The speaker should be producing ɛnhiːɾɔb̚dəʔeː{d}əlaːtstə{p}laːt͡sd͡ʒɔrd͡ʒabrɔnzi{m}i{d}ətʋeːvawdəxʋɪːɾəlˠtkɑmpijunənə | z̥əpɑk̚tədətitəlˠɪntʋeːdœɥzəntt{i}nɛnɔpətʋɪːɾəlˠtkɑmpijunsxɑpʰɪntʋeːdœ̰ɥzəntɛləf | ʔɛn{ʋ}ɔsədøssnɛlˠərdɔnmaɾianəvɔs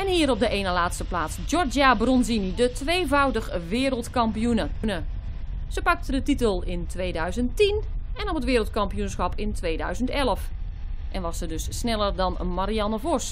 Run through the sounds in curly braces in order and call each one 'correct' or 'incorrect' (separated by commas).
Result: incorrect, correct, incorrect, correct, correct, correct